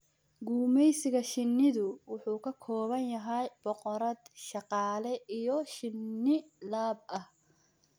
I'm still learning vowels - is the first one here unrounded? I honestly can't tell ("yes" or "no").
no